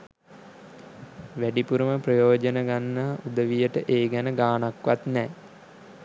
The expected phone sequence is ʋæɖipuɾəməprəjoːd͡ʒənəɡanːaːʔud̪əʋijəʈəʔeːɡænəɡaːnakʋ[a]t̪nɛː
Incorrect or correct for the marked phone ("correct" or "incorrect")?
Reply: correct